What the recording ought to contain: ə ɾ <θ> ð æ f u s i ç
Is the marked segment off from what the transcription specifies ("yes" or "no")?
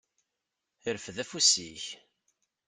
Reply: yes